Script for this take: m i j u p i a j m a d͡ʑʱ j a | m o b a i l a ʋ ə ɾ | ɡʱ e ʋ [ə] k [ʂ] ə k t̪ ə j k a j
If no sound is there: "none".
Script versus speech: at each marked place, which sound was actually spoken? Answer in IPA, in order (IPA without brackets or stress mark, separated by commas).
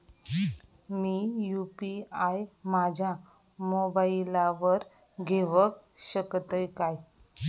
ə, ɕ